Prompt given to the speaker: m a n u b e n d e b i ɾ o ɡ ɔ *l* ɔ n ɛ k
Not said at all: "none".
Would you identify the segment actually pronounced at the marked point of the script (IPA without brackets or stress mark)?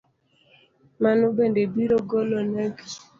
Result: l